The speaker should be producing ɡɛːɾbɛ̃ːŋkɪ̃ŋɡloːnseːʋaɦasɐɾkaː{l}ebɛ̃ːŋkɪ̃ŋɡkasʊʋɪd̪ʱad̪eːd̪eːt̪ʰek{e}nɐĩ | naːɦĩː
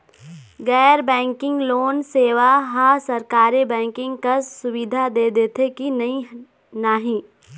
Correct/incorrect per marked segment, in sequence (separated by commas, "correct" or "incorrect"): incorrect, incorrect